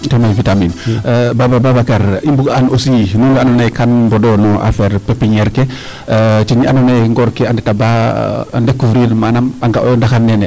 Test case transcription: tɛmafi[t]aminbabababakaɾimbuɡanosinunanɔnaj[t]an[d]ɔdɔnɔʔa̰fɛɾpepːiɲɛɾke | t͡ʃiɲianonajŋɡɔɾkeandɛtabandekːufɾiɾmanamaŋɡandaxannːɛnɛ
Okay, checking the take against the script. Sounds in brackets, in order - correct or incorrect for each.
correct, incorrect, incorrect

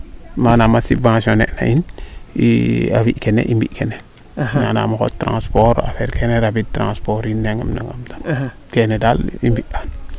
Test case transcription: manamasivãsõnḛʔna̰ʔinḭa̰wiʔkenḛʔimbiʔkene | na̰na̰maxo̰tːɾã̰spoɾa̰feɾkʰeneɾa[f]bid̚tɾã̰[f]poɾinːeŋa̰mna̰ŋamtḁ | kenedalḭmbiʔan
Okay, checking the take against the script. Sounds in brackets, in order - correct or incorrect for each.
incorrect, incorrect

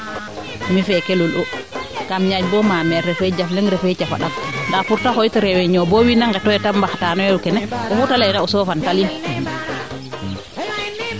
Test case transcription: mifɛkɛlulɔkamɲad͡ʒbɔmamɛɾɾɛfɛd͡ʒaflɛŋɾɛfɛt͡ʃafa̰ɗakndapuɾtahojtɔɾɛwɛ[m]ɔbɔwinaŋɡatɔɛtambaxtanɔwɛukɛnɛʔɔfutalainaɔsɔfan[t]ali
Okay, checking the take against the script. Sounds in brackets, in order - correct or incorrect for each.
incorrect, correct

